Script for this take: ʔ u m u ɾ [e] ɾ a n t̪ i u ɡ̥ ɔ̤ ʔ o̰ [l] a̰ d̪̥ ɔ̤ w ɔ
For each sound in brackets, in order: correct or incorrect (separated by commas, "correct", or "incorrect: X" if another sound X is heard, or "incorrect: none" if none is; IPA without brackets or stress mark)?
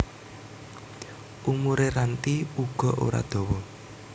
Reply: correct, incorrect: ɾ